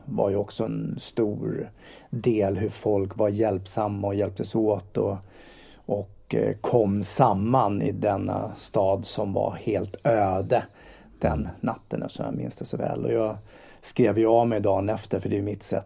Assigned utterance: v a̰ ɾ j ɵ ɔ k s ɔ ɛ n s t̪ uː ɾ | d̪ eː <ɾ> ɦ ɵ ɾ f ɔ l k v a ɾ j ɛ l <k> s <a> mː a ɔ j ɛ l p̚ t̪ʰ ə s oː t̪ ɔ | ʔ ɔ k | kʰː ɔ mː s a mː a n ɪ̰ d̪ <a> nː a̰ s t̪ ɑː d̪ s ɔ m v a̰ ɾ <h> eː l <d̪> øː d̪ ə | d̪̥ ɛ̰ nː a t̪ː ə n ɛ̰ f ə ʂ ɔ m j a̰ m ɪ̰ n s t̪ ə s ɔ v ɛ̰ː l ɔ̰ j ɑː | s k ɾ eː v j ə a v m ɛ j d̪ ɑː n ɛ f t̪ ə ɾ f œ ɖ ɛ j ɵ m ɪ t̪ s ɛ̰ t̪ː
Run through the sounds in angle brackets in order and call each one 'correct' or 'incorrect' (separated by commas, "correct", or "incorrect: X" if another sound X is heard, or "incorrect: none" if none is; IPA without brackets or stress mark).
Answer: incorrect: l, incorrect: p, correct, incorrect: ɛ, correct, incorrect: t̪